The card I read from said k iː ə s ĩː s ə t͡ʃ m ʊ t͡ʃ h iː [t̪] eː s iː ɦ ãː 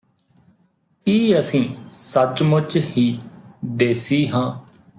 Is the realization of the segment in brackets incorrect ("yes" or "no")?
yes